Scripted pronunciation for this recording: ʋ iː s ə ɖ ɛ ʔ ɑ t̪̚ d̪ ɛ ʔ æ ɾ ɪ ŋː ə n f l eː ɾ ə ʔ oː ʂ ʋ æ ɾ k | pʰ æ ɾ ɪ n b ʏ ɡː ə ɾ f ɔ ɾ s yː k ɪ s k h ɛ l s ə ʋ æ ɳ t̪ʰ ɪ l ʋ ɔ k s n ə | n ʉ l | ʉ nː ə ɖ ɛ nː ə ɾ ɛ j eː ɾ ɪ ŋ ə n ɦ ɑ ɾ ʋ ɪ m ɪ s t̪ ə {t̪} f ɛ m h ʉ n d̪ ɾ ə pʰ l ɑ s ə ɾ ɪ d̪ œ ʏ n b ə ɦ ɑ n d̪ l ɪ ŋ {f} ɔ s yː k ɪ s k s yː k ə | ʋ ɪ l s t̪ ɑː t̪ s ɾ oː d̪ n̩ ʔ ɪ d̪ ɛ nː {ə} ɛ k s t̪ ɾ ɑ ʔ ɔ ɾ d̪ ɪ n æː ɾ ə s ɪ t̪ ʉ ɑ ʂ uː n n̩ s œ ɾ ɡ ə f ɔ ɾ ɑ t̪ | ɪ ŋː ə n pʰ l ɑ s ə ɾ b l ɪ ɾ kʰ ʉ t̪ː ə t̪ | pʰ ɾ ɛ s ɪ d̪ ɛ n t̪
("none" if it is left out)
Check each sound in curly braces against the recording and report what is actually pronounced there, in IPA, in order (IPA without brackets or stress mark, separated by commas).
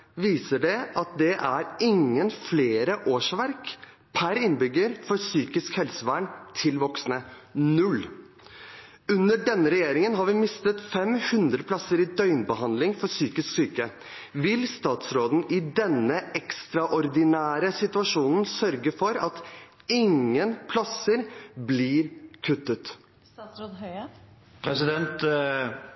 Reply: t̪, f, ə